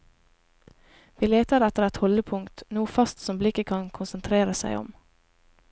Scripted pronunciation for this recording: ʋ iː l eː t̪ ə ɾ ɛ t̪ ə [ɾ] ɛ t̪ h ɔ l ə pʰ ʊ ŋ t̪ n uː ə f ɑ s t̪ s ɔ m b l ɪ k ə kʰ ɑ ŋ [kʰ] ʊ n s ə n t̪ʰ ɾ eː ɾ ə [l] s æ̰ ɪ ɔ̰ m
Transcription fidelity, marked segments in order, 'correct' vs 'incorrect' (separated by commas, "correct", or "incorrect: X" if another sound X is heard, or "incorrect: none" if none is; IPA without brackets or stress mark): correct, correct, incorrect: none